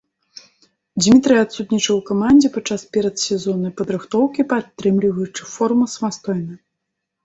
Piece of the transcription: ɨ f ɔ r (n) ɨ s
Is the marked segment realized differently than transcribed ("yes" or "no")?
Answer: yes